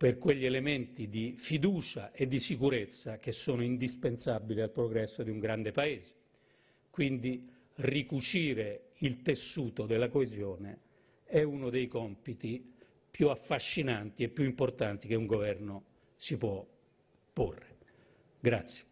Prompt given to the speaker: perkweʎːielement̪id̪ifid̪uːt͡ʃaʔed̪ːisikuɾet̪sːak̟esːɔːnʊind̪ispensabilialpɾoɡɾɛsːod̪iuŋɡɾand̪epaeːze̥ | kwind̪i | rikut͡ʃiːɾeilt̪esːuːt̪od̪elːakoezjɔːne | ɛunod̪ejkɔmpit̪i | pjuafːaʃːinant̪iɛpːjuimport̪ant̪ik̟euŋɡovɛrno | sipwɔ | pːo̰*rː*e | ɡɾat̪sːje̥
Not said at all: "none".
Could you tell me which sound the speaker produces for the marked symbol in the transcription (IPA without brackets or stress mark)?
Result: rː